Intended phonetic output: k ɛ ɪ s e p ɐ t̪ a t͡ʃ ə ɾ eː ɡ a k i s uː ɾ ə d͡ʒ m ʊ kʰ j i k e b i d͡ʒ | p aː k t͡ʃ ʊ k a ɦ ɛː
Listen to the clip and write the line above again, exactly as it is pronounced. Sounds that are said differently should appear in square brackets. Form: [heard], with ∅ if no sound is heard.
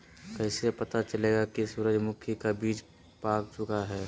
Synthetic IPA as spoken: k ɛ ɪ s e p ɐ t̪ a t͡ʃ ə [l] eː ɡ a k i s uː ɾ ə d͡ʒ m ʊ kʰ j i k [a] b [iː] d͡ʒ | p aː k t͡ʃ ʊ k a ɦ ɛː